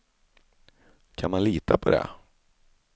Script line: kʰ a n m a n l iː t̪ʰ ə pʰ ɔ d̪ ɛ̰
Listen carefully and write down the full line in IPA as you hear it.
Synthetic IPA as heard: kʰ a n m a n l iː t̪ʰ a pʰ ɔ d̪ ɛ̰